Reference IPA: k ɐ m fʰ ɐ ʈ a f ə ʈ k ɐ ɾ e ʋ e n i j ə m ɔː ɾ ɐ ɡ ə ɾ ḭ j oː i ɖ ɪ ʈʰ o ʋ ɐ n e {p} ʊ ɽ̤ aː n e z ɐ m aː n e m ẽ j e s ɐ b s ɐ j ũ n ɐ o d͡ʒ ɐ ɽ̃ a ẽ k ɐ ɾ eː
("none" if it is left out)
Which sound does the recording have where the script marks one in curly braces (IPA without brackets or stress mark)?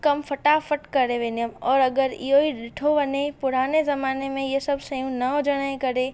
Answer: p